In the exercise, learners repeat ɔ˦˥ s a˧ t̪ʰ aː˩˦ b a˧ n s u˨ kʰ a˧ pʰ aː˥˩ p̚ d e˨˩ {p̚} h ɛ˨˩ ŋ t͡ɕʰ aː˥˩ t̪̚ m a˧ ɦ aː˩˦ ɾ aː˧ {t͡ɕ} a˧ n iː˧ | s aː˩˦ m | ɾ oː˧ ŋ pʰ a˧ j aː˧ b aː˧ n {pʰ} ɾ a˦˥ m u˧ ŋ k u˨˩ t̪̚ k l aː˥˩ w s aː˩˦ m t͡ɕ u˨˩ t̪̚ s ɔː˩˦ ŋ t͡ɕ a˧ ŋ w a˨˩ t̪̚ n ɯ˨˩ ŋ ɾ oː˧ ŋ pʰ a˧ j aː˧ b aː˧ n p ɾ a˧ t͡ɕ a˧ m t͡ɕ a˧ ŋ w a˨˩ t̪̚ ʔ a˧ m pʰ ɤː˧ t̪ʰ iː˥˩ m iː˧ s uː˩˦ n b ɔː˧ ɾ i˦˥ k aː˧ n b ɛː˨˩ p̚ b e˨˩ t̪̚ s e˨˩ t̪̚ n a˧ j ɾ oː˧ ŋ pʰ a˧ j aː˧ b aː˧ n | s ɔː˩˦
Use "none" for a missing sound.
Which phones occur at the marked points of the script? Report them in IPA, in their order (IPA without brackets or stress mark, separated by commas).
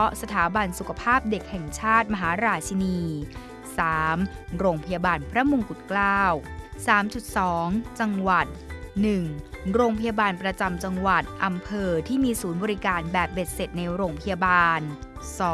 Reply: k̚, t͡ɕʰ, pʰ